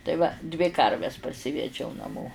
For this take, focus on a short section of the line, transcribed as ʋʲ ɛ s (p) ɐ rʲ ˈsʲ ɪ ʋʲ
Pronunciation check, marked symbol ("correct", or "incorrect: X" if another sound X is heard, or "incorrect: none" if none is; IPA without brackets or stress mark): correct